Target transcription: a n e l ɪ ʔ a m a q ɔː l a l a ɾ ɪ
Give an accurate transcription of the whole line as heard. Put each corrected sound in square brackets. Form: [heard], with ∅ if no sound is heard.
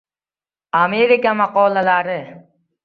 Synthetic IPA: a [m] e [ɾ] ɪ [k] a m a q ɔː l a l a ɾ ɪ